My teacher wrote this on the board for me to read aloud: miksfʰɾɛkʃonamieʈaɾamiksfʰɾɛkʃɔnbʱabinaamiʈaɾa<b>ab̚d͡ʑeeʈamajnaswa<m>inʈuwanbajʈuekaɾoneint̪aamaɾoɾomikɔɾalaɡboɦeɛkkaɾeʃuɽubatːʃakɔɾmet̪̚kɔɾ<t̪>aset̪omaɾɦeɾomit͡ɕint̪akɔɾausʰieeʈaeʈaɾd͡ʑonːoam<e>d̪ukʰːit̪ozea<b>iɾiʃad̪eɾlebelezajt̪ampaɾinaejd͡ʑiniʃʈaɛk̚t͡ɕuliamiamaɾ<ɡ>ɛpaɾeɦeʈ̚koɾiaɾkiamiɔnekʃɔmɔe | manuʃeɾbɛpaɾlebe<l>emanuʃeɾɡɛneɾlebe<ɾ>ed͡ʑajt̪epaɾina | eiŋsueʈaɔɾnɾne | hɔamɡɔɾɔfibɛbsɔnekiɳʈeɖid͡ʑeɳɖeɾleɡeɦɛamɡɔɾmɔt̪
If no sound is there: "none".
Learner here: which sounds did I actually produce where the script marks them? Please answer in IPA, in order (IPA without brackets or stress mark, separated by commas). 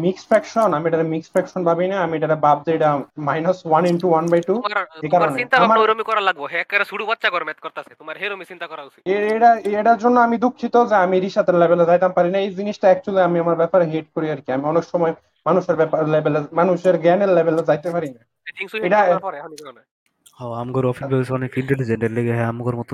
b, n, t̪, i, m, b, l, l